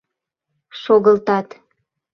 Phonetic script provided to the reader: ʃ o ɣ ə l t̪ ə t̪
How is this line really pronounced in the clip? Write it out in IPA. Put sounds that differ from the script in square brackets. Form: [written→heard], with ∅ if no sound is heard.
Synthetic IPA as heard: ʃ o ɣ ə l t̪ [ə→ɑ] t̪

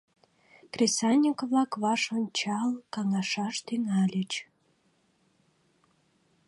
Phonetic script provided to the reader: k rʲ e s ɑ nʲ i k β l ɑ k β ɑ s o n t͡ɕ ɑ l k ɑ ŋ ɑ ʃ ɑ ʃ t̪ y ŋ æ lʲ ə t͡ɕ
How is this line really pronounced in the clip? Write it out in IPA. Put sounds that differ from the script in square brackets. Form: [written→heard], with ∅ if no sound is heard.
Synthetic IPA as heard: k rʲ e s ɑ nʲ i k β l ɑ k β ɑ [s→ʃ] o n t͡ɕ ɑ l k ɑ ŋ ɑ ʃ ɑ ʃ t̪ y ŋ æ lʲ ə t͡ɕ

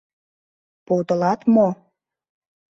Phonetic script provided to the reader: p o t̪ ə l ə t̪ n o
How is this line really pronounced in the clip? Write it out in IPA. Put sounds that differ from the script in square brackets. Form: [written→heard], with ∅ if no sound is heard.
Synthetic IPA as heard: p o t̪ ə l [ə→ɑ] t̪ [n→m] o

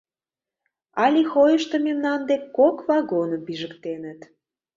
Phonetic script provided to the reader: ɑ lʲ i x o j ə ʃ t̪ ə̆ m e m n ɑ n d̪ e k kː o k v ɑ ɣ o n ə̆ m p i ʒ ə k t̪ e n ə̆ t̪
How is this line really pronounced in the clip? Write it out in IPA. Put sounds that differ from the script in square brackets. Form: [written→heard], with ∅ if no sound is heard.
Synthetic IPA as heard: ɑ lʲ i x o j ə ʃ t̪ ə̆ m e m n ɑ n d̪ e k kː o k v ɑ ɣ o n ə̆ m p i ʒ ə k t̪ e n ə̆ t̪

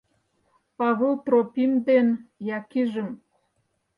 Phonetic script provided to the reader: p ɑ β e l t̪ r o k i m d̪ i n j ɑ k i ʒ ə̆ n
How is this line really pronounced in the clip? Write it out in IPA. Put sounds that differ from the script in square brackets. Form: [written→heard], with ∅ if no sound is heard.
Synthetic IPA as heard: p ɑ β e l t̪ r o [k→p] i m d̪ [i→e] n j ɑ k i ʒ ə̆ [n→m]

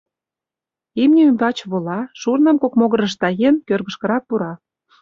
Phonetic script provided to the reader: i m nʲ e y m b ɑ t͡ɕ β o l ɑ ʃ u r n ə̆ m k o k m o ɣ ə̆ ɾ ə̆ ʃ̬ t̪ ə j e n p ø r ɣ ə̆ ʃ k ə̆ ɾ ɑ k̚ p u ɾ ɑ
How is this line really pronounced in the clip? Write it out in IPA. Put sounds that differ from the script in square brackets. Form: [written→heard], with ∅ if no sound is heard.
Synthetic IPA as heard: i m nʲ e y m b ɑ t͡ɕ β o l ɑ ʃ u r n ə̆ m k o k m o ɣ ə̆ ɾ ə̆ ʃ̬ t̪ [ə→ɑ] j e n [p→k] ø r ɣ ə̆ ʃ k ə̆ ɾ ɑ k̚ p u ɾ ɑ

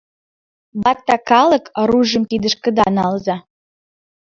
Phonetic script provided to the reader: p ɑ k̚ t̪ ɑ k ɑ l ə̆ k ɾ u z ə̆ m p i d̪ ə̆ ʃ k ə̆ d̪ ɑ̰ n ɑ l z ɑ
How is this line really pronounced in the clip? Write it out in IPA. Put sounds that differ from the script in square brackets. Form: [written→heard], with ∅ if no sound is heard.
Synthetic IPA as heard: [p→b] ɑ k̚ t̪ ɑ k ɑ l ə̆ k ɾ u [z→ʒ] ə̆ m [p→k] i d̪ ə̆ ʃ k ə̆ d̪ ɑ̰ n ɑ l z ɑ

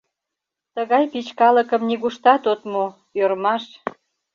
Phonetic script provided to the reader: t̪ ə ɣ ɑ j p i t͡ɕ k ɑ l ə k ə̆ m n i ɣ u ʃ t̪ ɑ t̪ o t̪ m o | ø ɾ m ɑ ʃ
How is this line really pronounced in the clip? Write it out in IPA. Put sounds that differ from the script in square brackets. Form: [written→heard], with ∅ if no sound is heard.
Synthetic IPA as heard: t̪ ə ɣ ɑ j p i t͡ɕ k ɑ l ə k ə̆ m n i ɣ u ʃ t̪ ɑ t̪ o t̪ m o | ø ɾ m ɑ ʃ

